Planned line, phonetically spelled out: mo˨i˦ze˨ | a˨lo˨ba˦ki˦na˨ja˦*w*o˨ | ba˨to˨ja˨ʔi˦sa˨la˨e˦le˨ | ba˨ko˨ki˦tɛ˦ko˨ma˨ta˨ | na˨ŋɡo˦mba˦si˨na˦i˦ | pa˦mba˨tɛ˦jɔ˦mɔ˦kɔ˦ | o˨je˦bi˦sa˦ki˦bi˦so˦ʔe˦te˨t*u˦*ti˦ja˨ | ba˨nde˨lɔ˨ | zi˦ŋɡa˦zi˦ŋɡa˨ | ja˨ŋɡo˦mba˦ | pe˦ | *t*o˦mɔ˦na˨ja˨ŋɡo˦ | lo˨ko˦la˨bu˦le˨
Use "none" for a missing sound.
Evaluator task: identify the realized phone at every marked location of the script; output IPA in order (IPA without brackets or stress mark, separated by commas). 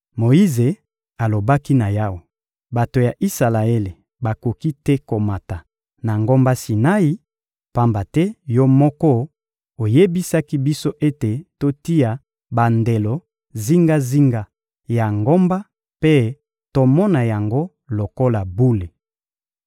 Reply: w, o˦, t